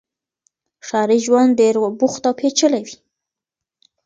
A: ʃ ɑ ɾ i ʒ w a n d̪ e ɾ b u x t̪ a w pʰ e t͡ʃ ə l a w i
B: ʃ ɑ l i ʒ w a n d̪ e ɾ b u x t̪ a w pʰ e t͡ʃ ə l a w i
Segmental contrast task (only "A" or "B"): A